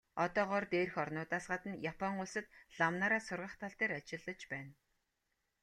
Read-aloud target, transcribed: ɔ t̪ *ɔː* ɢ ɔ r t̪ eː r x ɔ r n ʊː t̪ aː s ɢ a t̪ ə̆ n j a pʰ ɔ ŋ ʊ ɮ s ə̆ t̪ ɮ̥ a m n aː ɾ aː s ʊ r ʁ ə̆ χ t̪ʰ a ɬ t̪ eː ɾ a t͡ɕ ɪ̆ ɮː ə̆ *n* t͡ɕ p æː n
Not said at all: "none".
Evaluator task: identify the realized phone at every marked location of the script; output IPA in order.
ɔː, none

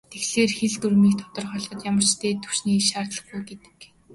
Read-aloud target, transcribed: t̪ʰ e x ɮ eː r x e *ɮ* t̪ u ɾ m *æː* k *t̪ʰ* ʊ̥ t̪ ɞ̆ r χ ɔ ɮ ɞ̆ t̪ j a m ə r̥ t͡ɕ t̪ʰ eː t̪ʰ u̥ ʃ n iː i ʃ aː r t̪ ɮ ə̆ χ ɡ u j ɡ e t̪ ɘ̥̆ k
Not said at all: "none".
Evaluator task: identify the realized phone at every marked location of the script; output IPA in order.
ɮ, iː, t̪ʰ

